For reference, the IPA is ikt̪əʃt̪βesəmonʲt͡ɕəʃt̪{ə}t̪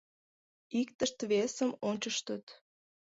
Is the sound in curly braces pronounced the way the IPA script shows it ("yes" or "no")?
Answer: yes